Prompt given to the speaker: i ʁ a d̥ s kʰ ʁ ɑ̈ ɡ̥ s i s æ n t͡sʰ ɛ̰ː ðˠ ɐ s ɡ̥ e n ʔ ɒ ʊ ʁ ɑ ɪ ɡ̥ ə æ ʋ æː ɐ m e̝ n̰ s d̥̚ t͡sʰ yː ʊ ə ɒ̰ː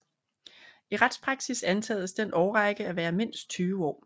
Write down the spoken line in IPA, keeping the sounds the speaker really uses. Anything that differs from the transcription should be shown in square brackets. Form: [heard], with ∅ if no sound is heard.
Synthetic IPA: i ʁ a d̥ s [pʰ] ʁ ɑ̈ ɡ̥ s i s æ n t͡sʰ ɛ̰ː ðˠ [ə] s [d̥] e n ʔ ɒ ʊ ʁ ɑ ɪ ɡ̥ ə æ ʋ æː ɐ m e̝ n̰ s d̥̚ t͡sʰ yː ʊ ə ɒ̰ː